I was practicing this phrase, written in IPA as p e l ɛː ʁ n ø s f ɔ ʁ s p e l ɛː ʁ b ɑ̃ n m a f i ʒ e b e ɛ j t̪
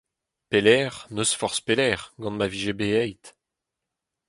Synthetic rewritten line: p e l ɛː ʁ n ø s f ɔ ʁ s p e l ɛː ʁ ɡ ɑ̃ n m a v i ʒ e b e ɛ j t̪